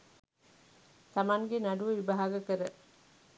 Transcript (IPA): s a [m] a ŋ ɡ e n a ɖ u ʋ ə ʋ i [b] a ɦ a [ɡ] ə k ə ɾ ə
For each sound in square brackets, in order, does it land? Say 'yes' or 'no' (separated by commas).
yes, yes, yes